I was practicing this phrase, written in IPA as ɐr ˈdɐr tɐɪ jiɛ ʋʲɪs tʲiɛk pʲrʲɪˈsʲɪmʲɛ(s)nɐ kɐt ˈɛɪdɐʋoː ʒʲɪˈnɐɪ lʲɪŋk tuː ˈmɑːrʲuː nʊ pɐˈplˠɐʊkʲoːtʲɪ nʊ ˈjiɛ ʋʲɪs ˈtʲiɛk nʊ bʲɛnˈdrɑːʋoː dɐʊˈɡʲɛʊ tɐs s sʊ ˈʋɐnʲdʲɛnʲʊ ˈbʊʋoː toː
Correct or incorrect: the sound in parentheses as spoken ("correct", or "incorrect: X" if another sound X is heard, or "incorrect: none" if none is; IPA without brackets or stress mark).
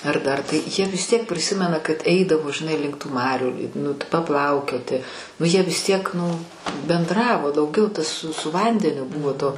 incorrect: none